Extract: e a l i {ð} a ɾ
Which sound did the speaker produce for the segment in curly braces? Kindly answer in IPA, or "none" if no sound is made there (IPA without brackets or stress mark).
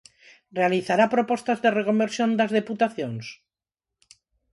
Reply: θ